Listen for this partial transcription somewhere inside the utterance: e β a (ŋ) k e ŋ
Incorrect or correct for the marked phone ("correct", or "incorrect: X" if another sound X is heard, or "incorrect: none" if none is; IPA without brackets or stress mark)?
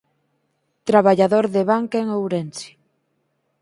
correct